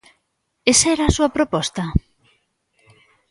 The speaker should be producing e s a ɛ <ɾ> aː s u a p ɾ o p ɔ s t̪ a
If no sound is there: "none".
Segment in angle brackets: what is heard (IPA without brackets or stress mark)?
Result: ɾ